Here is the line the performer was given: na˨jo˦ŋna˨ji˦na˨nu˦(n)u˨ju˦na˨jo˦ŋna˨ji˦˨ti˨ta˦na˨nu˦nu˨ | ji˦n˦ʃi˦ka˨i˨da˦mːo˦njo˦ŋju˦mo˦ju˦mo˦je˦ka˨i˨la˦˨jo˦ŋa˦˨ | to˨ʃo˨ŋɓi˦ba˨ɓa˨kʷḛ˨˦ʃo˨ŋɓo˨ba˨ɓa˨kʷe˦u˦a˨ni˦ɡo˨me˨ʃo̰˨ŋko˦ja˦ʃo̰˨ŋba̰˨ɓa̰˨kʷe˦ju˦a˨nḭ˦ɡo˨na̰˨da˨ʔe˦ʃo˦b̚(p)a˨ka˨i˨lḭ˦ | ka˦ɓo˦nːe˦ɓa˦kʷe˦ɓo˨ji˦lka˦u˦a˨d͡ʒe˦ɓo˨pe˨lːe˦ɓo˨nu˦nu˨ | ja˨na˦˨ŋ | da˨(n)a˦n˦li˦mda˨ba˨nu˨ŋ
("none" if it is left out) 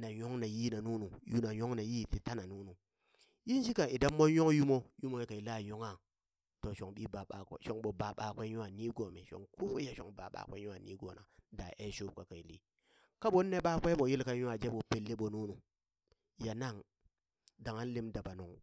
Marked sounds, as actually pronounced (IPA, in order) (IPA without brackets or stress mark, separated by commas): n, k, ŋ